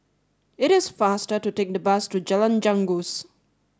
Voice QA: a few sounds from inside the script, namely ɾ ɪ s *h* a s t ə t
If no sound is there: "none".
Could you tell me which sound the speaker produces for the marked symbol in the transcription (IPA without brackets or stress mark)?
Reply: f